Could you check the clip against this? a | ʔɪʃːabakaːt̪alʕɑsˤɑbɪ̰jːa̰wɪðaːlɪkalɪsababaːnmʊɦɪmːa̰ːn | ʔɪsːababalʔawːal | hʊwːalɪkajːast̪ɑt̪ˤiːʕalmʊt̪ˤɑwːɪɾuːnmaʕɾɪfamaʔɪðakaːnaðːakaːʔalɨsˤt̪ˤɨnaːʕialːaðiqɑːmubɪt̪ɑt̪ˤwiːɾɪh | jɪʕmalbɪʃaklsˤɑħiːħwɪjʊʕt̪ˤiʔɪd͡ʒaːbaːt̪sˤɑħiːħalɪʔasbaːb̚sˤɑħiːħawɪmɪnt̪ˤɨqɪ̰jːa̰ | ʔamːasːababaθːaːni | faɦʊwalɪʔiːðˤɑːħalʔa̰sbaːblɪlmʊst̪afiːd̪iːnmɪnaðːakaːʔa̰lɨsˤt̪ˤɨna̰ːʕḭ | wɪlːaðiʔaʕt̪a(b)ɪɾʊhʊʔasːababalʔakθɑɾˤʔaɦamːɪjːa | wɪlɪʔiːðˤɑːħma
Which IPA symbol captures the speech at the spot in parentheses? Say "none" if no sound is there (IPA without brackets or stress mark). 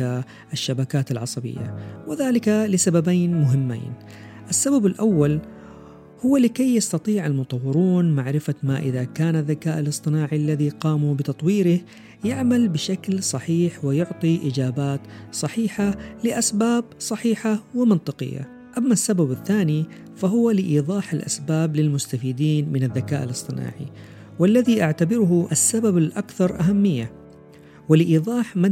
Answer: b